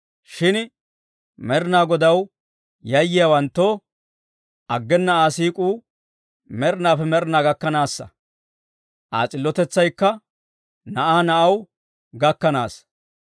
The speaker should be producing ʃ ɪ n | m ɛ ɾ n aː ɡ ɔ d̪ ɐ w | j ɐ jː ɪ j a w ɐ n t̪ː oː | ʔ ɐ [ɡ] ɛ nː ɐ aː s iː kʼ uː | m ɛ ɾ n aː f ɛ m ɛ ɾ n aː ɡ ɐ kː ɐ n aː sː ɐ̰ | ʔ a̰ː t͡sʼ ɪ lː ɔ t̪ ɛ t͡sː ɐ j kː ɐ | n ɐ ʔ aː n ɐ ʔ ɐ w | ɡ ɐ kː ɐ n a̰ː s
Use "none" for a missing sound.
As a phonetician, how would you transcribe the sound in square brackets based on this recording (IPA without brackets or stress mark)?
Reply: ɡː